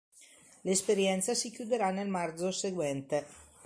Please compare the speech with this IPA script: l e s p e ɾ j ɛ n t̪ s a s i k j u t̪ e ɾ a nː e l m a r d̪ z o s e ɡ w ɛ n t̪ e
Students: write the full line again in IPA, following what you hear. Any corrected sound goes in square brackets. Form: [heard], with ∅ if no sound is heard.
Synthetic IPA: l e s p e ɾ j ɛ n t̪ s a s i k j u [d̪] e ɾ a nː e l m a r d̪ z o s e ɡ w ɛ n t̪ e